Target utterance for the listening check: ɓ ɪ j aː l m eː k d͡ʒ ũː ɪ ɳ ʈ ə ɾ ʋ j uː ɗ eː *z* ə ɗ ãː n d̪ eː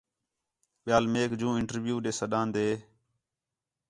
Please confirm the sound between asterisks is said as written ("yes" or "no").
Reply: no